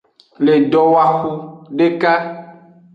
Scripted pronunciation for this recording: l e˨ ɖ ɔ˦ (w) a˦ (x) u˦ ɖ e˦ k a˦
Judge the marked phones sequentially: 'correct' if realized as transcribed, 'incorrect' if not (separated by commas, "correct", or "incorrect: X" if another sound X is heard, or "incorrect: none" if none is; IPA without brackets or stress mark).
correct, correct